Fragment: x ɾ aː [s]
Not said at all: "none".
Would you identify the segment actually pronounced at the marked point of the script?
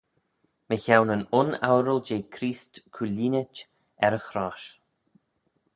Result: ʃ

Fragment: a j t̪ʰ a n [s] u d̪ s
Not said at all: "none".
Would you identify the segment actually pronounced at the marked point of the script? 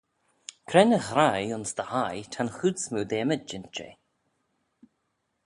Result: x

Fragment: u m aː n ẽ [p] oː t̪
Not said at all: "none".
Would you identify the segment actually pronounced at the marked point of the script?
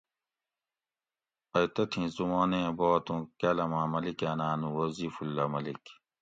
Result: b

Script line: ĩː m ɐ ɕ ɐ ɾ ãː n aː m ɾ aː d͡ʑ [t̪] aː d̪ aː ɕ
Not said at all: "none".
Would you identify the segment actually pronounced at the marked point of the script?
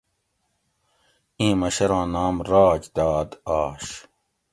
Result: d̪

